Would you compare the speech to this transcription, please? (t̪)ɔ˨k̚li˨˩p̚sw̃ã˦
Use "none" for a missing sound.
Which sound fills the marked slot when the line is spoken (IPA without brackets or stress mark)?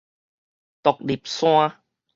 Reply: t̪